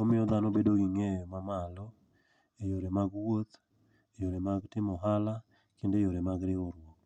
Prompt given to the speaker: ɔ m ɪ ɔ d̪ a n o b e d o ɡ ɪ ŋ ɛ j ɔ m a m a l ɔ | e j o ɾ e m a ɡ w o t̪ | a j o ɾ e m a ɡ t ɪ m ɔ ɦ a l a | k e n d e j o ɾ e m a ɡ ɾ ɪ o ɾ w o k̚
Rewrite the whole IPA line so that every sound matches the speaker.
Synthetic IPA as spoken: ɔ m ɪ ɔ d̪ a n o b e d o ɡ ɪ ŋ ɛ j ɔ m a m a l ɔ | e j o ɾ e m a ɡ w o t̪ | e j o ɾ e m a ɡ t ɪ m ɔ ɦ a l a | k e n d e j o ɾ e m a ɡ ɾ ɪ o ɾ w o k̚